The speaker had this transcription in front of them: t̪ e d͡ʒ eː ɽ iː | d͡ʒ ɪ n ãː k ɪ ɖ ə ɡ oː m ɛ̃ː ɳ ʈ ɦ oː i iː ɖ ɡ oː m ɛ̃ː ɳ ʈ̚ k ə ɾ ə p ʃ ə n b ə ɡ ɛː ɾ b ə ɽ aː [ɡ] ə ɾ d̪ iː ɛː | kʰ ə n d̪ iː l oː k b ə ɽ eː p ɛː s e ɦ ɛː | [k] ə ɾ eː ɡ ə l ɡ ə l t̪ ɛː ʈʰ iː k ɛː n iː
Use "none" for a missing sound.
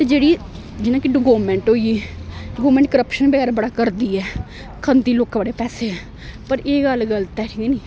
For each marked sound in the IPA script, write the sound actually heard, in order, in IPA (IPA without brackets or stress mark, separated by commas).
k, p